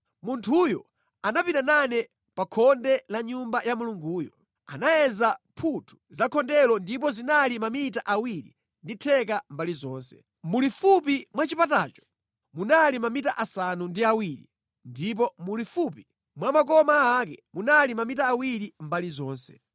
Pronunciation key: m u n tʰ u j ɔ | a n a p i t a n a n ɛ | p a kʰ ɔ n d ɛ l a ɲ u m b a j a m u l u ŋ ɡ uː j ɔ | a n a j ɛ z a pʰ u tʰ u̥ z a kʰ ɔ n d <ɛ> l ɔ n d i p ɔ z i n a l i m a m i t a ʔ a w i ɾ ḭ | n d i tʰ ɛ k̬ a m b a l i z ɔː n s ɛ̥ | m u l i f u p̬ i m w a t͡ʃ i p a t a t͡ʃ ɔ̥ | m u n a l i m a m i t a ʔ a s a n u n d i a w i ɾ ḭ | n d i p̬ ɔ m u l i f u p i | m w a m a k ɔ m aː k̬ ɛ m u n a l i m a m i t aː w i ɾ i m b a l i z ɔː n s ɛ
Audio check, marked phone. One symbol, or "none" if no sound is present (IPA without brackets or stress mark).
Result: ɛ